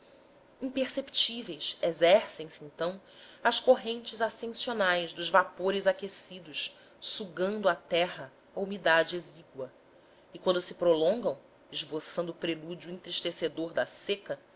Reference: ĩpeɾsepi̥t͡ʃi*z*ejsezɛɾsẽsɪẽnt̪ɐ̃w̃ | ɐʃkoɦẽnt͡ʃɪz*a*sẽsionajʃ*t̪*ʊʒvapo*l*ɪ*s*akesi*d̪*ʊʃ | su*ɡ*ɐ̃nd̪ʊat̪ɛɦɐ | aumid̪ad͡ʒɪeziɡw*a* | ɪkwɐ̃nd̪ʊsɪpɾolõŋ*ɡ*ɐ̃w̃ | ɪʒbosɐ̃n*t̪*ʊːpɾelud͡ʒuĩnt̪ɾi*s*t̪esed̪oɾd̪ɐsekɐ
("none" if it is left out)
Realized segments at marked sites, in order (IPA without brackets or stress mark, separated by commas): v, a, d̪, ɾ, z, d̪, ɡ, ɐ, ɡ, d̪, ʃ